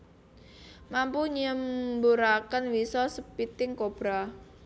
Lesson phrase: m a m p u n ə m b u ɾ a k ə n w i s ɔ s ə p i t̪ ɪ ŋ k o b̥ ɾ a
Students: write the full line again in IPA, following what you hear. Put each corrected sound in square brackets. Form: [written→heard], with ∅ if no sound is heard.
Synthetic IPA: m a m p u [n→ɲ] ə m b u ɾ a k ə n w i s ɔ s ə p i t̪ ɪ ŋ k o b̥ ɾ a